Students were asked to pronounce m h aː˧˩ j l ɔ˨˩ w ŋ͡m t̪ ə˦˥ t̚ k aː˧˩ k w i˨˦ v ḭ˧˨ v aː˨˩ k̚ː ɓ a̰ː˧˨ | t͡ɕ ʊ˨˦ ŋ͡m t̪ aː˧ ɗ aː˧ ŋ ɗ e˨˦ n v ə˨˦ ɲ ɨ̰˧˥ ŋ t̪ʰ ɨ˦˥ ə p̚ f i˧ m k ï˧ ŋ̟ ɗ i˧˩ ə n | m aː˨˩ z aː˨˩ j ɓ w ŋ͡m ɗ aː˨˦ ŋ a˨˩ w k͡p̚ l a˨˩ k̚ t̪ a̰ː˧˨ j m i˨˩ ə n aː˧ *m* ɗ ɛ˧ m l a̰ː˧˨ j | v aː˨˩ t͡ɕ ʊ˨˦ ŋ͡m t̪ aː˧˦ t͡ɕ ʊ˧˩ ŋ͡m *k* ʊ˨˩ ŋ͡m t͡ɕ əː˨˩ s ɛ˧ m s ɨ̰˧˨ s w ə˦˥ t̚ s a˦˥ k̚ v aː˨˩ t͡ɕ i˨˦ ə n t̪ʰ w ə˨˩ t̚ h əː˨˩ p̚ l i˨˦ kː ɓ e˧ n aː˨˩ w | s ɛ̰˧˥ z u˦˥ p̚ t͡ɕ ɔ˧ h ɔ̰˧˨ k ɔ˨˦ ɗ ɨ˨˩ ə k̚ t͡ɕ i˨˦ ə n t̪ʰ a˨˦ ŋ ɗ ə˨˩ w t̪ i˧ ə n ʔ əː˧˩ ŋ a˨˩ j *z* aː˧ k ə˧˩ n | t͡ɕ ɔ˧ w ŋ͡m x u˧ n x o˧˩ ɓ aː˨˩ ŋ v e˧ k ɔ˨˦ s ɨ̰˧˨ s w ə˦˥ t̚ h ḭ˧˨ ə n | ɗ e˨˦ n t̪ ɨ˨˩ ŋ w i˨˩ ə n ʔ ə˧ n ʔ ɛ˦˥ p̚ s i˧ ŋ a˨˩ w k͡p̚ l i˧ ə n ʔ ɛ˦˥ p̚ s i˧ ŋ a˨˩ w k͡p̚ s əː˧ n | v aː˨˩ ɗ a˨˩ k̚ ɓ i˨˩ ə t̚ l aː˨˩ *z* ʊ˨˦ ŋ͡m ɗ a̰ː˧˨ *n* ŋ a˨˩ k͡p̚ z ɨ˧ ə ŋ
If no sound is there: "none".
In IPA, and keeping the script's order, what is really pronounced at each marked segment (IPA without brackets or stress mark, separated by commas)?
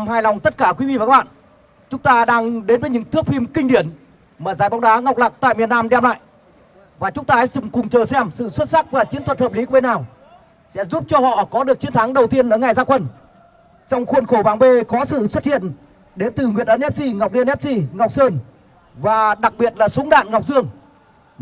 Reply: m, k, z, s, n